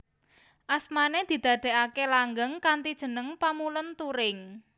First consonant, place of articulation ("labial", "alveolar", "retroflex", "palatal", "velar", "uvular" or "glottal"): glottal